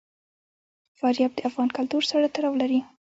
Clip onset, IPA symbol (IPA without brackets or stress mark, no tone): f